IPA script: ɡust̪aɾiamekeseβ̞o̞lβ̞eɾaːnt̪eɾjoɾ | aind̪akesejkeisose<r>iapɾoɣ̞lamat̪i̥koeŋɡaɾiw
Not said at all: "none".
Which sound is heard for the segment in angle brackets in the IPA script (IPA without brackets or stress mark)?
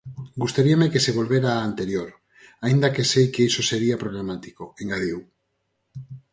ɾ